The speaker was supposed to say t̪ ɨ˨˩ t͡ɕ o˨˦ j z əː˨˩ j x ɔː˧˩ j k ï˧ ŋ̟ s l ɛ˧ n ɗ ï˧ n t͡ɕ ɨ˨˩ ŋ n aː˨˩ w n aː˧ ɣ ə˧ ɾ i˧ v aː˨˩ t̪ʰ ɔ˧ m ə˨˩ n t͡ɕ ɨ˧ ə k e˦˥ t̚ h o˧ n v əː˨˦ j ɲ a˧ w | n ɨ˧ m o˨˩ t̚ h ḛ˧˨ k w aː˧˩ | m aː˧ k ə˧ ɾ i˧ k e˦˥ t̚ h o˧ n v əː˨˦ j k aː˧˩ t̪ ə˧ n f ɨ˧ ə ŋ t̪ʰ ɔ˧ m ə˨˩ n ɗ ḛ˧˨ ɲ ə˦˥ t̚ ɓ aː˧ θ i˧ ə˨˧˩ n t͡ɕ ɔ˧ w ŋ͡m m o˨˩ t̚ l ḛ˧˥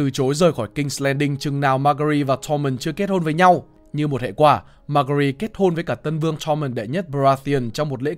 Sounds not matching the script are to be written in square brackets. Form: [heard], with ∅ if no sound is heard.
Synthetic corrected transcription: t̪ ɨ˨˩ t͡ɕ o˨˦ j z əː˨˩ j x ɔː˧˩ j k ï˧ ŋ̟ s l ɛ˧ n ɗ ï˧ [ŋ] t͡ɕ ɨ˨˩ ŋ n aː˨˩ w [m] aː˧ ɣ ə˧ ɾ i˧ v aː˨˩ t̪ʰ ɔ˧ m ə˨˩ n t͡ɕ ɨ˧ ə k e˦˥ t̚ h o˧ n v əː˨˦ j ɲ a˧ w | [ɲ] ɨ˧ m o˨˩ t̚ h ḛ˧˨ k w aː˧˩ | m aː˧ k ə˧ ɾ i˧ k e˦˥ t̚ h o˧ n v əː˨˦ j k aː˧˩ t̪ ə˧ n [v] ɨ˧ ə ŋ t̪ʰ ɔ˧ m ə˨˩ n ɗ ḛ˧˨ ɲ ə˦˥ t̚ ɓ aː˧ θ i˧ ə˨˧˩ n t͡ɕ ɔ˧ w ŋ͡m m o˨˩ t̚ l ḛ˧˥